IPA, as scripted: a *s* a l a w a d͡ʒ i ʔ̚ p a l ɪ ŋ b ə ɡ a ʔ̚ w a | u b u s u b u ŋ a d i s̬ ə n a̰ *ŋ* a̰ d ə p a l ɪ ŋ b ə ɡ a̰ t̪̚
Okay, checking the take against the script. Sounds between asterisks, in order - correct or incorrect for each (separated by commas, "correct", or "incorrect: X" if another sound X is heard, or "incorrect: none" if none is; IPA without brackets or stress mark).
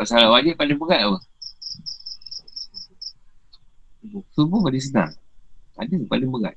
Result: correct, correct